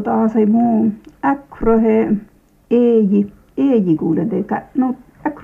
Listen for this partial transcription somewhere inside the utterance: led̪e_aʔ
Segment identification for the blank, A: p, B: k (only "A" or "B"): B